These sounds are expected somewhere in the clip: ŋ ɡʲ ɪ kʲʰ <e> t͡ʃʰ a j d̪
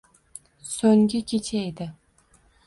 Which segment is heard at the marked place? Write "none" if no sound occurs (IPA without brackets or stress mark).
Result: e